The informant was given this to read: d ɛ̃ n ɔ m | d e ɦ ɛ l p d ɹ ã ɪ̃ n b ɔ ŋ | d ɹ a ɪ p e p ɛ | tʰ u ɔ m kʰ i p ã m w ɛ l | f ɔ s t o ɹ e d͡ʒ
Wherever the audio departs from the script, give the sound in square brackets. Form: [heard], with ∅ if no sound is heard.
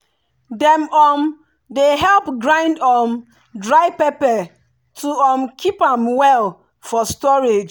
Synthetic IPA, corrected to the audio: d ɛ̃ [m] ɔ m | d e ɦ ɛ l p [ɡ] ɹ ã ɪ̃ n [d] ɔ [m] | d ɹ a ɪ p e p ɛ | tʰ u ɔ m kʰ i p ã m w ɛ l | f ɔ s t [ɔ] ɹ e d͡ʒ